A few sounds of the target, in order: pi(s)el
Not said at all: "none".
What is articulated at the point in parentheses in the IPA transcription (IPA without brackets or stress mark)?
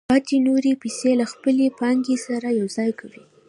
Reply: s